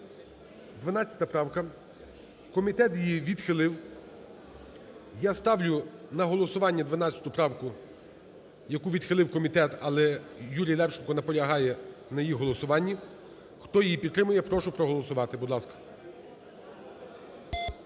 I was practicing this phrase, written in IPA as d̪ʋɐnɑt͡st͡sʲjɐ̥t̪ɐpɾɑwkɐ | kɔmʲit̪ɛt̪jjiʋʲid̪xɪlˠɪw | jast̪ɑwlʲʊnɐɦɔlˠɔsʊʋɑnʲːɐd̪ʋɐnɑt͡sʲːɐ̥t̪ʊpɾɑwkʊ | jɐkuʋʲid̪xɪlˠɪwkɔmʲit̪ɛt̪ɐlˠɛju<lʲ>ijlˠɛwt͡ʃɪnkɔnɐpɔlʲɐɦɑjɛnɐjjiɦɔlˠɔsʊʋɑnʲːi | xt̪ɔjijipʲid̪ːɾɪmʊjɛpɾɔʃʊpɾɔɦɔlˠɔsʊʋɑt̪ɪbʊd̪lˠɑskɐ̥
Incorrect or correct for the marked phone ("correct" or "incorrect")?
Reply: incorrect